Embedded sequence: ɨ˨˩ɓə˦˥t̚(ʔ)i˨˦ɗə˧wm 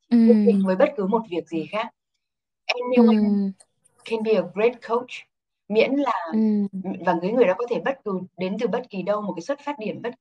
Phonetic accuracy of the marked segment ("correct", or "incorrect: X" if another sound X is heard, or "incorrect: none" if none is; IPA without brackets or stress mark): incorrect: k